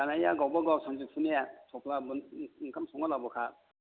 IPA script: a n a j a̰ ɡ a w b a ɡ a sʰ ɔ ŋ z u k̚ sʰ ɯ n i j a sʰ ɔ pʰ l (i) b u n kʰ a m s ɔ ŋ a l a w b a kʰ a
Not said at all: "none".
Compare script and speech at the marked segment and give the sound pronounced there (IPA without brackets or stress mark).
a